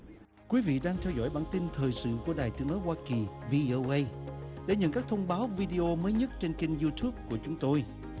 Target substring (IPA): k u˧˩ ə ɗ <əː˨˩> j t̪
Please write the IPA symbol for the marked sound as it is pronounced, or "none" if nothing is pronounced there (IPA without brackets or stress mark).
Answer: aː˨˩